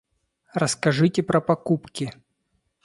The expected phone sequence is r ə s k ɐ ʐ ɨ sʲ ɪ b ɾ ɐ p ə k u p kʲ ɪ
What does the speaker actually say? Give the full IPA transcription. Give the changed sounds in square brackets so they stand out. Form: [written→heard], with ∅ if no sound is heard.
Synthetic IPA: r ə s k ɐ ʐ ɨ [sʲ→tʲ] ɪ [b→p] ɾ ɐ p [ə→ɐ] k u p kʲ ɪ